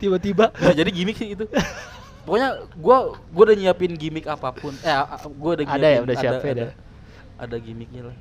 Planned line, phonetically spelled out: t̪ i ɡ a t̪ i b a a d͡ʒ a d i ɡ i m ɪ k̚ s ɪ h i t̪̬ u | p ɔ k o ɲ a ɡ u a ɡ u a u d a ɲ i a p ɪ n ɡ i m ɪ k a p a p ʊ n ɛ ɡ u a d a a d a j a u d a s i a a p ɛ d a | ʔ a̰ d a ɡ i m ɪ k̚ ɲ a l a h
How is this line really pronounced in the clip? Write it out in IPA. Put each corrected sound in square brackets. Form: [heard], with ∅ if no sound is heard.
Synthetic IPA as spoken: t̪ i [b] a t̪ i b a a d͡ʒ a d i ɡ i m ɪ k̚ s ɪ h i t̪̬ u | p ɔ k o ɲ a ɡ u a ɡ u a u d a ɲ i a p ɪ n ɡ i m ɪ k a p a p ʊ n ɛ ɡ u a d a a d a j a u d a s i a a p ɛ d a | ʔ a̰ d a ɡ i m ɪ k̚ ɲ a l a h